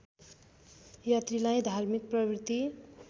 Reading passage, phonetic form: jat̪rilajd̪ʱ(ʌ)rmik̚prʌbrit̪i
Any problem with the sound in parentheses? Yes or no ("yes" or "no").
yes